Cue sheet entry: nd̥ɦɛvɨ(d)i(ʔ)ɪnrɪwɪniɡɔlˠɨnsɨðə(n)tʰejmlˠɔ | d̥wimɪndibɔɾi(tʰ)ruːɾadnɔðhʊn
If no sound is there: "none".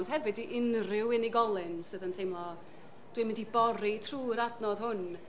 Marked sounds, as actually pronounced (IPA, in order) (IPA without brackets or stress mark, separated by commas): d, ʔ, n, tʰ